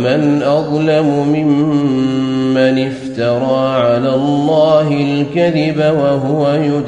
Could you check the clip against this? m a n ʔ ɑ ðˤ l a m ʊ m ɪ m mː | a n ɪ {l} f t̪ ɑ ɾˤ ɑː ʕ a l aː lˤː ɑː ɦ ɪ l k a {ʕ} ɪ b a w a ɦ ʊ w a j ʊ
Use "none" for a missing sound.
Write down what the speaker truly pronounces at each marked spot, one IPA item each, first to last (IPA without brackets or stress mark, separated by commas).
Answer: none, ð